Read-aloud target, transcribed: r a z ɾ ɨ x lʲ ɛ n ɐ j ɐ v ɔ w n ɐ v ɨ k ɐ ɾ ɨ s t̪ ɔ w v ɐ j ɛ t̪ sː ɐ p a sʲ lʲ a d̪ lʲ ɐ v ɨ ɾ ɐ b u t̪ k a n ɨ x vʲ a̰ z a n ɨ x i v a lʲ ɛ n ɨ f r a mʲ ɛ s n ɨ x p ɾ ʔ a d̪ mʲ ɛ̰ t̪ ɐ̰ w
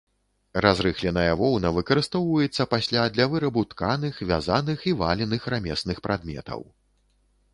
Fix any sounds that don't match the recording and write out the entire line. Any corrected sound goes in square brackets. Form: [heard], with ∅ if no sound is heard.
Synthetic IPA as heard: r a z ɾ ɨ x lʲ ɛ n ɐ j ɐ v ɔ w n ɐ v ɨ k ɐ ɾ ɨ s t̪ ɔ w v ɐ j ɛ t̪ sː ɐ p a sʲ lʲ a d̪ lʲ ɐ v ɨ ɾ ɐ b u t̪ k a n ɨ x vʲ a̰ z a n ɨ x i v a lʲ ɛ n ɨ [x] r a mʲ ɛ s n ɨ x p ɾ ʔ a d̪ mʲ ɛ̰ t̪ ɐ̰ w